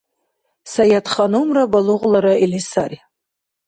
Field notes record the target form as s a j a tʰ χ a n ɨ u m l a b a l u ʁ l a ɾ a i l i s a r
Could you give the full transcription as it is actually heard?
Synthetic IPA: s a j a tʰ χ a n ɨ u m r a b a l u ʁ l a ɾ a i l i s a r